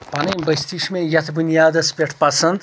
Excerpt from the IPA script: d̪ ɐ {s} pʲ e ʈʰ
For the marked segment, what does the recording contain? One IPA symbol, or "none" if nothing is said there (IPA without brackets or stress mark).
s